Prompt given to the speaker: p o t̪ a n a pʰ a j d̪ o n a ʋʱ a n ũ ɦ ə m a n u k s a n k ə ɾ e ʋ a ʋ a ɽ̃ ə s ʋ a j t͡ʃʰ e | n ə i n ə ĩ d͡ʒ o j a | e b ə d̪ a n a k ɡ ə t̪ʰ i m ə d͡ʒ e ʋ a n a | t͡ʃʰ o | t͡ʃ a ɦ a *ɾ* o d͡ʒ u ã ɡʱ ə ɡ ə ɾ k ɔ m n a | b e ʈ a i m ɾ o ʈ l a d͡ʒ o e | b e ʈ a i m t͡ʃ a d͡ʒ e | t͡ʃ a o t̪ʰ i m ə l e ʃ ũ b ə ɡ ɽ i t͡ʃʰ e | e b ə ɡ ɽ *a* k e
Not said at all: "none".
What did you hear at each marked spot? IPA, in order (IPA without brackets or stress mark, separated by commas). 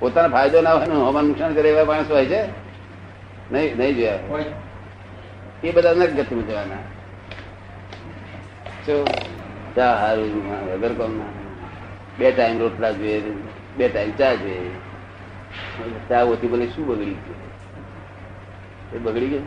ɾ, i